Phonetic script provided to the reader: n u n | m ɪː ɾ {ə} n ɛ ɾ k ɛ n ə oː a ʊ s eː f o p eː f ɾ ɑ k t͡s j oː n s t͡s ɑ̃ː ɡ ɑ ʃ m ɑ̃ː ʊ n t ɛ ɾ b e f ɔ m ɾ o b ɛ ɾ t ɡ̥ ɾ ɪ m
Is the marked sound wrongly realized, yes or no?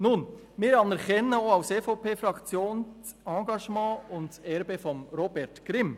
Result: yes